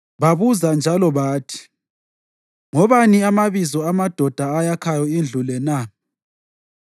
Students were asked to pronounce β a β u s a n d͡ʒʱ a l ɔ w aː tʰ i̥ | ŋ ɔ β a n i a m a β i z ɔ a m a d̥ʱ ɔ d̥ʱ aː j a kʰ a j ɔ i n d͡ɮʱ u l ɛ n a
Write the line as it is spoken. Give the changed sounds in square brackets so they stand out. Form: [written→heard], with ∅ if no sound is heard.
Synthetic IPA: β a β u [s→z] a n d͡ʒʱ a l ɔ [w→β] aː tʰ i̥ | ŋ ɔ β a n i a m a β i z ɔ a m a d̥ʱ ɔ d̥ʱ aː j a kʰ a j ɔ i n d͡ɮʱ u l ɛ n a